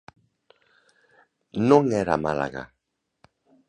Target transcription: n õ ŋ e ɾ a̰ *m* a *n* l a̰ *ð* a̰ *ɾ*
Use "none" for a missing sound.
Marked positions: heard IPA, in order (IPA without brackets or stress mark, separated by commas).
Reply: m, none, ɣ, none